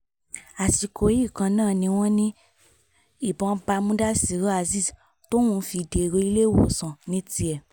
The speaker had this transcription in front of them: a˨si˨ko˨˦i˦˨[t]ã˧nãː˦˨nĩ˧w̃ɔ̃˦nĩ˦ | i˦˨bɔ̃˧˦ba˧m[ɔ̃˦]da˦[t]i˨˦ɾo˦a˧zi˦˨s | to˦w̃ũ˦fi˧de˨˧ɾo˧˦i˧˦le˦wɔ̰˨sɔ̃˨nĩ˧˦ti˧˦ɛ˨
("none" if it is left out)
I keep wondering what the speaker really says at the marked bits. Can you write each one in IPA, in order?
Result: k, ũ˦, s

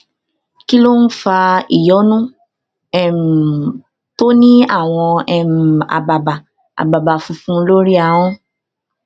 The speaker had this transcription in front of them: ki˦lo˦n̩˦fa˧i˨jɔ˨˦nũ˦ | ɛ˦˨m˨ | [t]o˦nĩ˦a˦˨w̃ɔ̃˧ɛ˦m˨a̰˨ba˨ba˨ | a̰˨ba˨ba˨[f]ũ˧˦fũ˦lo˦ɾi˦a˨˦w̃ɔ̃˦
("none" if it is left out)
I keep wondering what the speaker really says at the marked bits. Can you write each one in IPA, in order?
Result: t, f

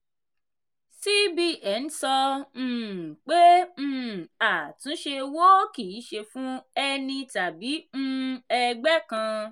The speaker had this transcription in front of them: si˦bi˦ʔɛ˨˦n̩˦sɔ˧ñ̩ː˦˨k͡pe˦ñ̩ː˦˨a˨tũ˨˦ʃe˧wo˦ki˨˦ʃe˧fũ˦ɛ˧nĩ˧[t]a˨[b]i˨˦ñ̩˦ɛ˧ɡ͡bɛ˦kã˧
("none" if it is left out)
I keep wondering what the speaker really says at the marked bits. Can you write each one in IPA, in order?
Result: t, b

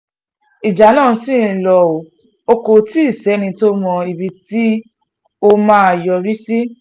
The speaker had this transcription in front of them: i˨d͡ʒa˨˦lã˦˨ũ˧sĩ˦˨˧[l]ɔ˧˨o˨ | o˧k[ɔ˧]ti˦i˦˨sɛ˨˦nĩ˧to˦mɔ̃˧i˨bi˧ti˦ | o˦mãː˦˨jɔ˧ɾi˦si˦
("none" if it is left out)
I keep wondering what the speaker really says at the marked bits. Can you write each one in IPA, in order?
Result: l, o˧

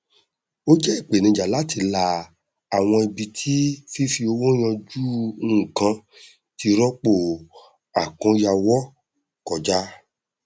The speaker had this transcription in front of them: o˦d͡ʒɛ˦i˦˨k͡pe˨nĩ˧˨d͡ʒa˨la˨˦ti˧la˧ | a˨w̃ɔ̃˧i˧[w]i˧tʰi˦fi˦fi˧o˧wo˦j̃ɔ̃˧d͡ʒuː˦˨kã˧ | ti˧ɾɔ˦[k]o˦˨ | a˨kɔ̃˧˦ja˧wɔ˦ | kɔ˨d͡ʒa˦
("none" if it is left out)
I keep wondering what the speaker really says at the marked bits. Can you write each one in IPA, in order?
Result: b, k͡p

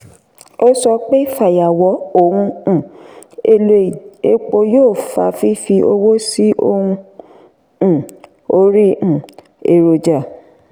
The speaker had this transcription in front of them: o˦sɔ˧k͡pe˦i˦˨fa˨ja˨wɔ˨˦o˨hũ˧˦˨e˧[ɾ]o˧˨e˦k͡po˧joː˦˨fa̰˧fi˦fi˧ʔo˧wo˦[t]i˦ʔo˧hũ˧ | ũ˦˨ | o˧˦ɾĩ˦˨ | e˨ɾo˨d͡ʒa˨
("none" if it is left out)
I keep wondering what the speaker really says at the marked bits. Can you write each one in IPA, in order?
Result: l, s

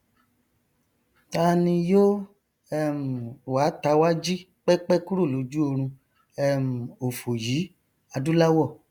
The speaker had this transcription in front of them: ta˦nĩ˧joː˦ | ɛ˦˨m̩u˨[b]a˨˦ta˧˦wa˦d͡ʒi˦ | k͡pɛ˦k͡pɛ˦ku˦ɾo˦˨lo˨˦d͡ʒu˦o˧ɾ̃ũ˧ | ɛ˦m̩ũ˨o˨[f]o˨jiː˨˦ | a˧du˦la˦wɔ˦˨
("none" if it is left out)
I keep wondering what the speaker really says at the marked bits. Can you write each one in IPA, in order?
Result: w, f

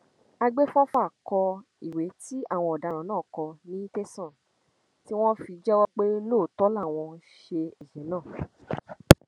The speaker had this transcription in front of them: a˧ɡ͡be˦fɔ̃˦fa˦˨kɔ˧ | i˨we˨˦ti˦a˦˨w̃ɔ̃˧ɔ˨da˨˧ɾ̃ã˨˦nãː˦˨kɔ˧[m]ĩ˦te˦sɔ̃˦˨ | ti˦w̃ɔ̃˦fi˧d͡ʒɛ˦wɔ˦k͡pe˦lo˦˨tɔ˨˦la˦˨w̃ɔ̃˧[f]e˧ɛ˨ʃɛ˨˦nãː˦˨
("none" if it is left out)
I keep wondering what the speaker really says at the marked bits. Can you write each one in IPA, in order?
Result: n, ʃ

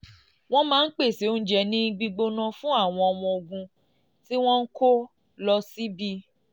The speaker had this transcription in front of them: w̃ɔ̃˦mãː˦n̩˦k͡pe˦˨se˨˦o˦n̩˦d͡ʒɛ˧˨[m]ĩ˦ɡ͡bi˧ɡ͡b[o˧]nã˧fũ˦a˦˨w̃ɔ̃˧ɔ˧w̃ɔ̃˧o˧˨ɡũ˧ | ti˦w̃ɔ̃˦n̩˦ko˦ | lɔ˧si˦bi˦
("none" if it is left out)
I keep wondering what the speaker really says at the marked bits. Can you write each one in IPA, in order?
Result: n, o˧

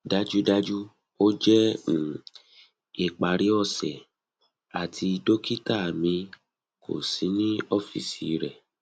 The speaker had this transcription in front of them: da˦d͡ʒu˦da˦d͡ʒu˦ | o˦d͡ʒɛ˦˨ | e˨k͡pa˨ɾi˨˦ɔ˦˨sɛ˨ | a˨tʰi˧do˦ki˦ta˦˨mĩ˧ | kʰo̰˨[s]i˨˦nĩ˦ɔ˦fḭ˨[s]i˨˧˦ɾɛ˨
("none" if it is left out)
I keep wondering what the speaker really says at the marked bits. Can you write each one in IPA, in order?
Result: s, s

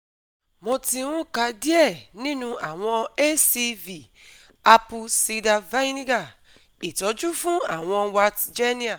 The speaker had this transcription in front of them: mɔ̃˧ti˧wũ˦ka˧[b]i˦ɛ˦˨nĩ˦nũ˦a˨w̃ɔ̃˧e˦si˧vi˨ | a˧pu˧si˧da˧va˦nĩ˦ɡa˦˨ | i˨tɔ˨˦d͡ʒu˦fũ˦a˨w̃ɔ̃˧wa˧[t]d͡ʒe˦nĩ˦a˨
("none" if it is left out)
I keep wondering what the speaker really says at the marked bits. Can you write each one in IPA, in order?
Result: d, t

